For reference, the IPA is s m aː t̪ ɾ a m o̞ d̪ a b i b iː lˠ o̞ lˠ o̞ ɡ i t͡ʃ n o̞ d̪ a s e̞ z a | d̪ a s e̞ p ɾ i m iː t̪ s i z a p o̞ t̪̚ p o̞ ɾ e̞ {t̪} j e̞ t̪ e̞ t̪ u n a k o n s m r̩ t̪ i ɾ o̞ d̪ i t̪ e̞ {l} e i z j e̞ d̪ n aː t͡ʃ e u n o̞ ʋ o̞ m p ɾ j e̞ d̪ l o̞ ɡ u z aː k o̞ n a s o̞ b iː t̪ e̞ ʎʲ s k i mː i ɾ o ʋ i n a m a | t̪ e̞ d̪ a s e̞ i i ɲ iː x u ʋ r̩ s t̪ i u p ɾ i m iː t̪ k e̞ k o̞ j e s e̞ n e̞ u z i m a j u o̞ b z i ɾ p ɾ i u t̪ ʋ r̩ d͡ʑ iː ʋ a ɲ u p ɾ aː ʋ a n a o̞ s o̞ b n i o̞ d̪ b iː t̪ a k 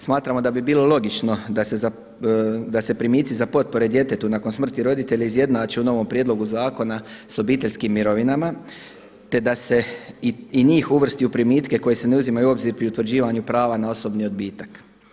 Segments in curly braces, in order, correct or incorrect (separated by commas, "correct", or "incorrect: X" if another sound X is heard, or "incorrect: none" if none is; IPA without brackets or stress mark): incorrect: d̪, incorrect: ʎ